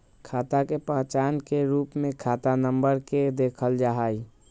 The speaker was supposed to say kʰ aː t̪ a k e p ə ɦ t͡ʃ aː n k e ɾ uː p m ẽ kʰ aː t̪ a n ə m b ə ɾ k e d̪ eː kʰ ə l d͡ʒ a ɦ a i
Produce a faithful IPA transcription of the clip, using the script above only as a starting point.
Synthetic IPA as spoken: kʰ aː t̪ a k e p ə ɦ t͡ʃ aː n k e ɾ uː p m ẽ kʰ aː t̪ a n ə m b ə ɾ k e d̪ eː kʰ ə l d͡ʒ a ɦ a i